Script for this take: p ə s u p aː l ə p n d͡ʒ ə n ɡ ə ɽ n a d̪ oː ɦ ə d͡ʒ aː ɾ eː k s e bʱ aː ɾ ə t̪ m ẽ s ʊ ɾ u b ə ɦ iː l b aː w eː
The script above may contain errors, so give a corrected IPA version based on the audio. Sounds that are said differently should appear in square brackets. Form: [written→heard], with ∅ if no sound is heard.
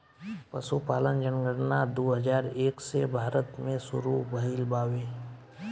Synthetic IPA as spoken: p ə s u p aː l ə [p→∅] n d͡ʒ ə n ɡ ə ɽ n a d̪ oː ɦ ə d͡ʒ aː ɾ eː k s e bʱ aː ɾ ə t̪ m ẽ s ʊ ɾ u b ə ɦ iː l b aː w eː

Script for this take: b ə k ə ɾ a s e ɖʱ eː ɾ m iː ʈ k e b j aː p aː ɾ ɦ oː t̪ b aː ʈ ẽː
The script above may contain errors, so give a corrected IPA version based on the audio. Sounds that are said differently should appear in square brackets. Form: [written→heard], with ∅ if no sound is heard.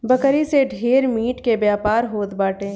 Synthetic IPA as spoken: b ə k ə ɾ [a→i] s e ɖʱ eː ɾ m iː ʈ k e b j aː p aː ɾ ɦ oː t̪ b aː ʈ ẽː

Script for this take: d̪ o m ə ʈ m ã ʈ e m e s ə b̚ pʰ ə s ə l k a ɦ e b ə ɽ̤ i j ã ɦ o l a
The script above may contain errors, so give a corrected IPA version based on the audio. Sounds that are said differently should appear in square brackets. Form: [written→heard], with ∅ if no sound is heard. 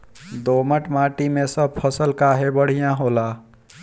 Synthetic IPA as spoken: d̪ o m ə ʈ m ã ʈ [e→i] m e s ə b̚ pʰ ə s ə l k a ɦ e b ə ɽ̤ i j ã ɦ o l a

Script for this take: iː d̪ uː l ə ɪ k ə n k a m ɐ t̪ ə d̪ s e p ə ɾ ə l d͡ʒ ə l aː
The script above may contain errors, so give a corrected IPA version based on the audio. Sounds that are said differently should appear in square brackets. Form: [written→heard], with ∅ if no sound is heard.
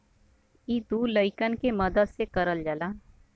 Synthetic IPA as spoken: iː d̪ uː l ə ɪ k ə n k [a→e] m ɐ [t̪→d̪] ə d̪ s e [p→k] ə ɾ ə l d͡ʒ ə l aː

